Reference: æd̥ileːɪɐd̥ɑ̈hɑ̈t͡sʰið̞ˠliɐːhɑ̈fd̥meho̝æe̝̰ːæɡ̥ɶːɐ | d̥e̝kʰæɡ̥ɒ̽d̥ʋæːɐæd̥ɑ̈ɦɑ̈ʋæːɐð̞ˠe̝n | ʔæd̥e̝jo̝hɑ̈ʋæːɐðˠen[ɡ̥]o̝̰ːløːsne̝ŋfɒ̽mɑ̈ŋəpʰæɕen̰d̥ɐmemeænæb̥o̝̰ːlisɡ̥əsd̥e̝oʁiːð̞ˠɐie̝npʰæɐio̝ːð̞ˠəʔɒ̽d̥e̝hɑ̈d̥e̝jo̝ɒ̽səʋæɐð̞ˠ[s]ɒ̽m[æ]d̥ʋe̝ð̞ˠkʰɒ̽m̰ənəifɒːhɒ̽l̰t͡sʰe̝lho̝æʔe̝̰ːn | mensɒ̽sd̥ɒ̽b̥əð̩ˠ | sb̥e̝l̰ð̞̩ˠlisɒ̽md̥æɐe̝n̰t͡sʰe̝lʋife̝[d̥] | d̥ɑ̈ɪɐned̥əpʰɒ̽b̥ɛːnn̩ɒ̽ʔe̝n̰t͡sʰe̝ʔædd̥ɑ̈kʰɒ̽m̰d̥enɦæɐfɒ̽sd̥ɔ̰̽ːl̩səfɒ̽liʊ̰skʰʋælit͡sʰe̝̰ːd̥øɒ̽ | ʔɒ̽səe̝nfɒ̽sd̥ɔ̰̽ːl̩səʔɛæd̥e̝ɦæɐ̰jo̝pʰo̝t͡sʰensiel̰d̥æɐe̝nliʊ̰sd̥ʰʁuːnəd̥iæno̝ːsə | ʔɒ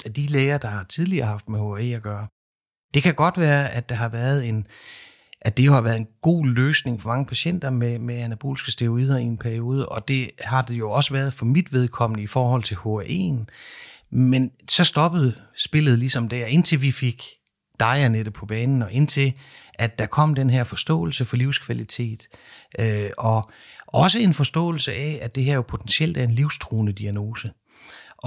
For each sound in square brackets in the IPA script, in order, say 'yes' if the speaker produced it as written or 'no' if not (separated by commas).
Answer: yes, no, no, no